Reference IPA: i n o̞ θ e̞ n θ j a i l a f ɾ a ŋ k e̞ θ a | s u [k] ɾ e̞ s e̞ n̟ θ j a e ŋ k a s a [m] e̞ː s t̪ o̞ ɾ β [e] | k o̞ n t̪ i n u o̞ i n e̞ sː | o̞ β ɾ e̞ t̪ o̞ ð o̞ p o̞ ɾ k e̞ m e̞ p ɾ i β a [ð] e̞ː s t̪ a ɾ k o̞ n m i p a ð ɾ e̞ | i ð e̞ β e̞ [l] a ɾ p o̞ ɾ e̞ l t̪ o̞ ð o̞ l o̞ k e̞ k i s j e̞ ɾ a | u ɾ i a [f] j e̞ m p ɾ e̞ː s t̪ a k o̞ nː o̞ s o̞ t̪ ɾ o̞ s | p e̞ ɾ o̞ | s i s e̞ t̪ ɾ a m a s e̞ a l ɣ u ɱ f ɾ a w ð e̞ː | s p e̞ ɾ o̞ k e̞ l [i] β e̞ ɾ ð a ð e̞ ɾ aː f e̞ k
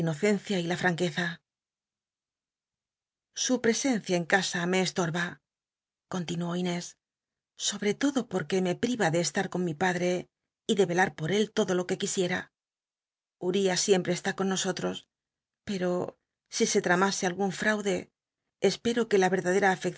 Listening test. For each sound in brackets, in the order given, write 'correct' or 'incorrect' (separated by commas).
incorrect, correct, incorrect, correct, correct, incorrect, incorrect